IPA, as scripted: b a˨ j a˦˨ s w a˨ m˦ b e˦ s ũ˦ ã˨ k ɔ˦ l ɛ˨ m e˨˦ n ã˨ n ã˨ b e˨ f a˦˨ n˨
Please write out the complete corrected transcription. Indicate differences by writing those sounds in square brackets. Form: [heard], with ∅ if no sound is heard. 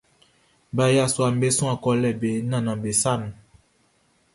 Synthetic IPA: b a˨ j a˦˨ s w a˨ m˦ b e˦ s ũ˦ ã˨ k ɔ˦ l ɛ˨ [b] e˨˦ n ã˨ n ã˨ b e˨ [s] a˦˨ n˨